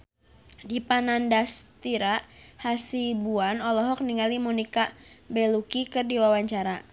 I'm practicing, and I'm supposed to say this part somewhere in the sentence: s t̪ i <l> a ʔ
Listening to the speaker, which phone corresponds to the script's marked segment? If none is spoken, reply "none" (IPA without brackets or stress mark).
ɾ